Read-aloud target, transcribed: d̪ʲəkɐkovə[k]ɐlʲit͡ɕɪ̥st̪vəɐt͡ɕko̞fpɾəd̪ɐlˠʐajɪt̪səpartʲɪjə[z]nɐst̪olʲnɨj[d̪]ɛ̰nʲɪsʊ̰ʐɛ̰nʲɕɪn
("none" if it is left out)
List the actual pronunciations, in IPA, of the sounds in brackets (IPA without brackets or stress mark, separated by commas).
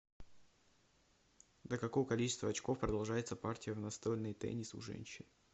k, v, t̪